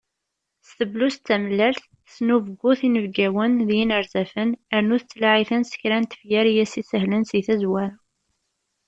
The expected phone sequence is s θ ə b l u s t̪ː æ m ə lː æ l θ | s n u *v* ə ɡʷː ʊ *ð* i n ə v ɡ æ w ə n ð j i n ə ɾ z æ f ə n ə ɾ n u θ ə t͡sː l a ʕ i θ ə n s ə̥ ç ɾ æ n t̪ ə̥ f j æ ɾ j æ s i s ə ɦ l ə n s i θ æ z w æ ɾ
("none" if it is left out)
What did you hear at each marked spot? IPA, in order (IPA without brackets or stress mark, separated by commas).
v, θ